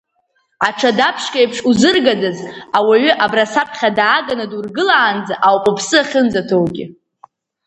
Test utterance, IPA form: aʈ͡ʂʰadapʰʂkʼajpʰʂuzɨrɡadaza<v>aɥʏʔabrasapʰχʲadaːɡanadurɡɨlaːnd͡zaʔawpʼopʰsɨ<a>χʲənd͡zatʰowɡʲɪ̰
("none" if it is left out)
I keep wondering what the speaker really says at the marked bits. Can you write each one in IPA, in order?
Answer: w, a

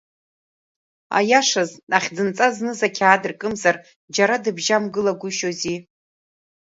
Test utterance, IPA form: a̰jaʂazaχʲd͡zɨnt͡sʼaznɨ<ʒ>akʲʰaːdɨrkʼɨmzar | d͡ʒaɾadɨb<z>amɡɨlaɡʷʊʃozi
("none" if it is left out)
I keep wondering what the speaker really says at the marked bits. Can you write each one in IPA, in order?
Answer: z, ʒ

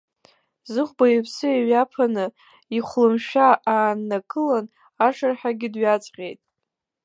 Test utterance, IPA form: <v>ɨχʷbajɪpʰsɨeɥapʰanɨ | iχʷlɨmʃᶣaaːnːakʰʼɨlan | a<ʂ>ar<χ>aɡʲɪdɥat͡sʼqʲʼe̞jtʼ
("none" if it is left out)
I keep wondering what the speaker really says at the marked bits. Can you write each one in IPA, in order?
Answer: z, ʂ, ħ

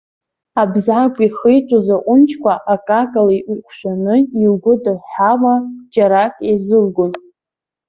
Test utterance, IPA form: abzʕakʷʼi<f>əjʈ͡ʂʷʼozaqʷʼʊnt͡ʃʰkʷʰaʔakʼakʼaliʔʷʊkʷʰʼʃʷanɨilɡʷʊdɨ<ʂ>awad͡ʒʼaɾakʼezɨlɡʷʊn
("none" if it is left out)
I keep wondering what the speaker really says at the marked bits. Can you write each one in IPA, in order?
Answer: χ, ħ

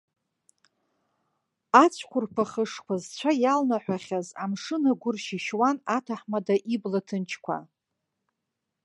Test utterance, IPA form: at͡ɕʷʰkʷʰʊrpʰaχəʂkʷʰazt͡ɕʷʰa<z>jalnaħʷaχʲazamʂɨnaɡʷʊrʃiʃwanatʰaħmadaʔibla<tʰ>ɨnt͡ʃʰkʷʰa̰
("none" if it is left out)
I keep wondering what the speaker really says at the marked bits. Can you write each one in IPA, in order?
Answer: none, tʰ

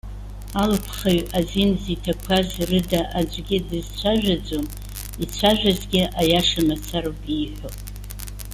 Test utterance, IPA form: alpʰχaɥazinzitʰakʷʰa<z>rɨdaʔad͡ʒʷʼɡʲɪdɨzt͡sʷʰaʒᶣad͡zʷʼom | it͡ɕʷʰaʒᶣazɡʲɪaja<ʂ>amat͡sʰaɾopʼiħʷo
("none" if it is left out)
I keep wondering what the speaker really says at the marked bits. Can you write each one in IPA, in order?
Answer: z, ʂ

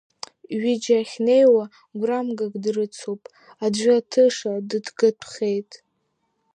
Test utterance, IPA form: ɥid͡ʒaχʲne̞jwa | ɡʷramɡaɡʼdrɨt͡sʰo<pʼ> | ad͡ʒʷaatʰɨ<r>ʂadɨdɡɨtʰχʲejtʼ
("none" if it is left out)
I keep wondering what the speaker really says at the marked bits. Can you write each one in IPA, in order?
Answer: pʼ, none

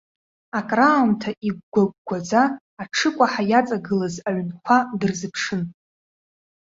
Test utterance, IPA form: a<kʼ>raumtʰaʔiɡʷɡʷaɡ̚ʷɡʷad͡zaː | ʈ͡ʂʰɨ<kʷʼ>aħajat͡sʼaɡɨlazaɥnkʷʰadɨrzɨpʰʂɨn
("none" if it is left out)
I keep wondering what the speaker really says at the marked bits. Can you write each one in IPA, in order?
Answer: kʼ, kʷʼ

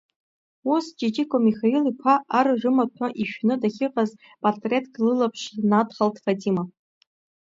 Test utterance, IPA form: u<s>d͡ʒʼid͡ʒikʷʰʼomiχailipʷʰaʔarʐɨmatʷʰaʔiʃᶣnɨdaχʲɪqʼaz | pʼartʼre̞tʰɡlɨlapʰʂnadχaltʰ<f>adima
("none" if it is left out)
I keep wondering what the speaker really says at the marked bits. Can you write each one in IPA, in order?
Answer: s, f

